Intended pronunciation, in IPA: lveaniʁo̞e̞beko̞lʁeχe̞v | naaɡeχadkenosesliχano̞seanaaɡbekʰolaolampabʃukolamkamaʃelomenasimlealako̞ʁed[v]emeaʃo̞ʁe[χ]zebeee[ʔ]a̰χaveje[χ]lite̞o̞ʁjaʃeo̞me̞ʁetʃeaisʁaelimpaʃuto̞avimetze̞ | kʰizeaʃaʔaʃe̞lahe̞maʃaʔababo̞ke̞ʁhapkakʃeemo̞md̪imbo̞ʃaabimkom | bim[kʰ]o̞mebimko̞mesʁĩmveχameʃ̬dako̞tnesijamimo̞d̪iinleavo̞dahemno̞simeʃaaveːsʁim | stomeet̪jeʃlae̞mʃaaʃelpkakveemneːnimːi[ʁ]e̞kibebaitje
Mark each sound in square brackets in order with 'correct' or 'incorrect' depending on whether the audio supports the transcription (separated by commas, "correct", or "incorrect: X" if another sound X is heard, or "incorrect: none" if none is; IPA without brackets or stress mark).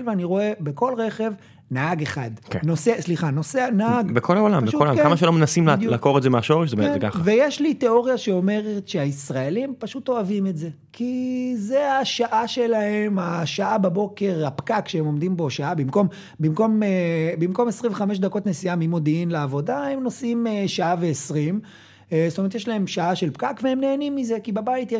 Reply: incorrect: z, incorrect: ʃ, incorrect: k, incorrect: ʃ, incorrect: k, incorrect: z